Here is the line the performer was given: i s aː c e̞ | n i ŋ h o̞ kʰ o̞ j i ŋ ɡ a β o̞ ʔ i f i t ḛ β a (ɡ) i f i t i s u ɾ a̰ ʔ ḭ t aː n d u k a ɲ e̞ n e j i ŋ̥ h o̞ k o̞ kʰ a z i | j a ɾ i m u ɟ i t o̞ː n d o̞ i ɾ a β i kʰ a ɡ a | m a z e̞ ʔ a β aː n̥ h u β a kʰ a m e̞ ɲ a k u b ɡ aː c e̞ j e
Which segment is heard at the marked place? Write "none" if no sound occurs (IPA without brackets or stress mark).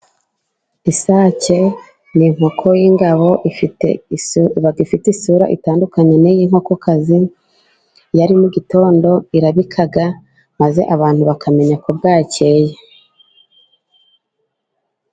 ɡ